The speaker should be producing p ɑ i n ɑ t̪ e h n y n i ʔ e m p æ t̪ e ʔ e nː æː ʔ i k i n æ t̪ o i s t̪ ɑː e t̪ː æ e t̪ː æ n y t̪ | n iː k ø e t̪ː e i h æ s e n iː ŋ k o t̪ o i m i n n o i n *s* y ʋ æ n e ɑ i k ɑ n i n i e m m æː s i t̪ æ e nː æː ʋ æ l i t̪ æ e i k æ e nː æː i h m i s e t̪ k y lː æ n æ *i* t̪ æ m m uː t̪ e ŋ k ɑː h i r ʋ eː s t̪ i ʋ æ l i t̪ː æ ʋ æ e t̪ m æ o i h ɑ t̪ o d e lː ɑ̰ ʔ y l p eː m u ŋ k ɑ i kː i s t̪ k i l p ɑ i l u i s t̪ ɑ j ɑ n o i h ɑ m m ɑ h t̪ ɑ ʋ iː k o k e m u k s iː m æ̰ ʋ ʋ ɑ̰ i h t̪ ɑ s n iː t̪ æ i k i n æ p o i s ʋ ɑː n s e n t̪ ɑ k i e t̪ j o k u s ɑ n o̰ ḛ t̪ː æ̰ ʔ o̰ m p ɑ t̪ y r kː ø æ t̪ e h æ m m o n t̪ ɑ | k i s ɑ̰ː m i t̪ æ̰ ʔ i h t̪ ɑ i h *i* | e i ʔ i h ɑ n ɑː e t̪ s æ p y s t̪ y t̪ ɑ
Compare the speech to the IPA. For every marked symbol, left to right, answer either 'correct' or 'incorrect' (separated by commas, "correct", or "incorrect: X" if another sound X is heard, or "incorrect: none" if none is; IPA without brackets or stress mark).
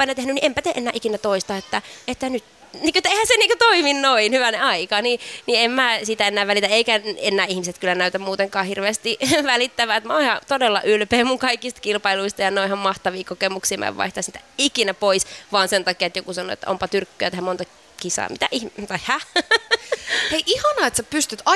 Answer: incorrect: h, incorrect: y, incorrect: æ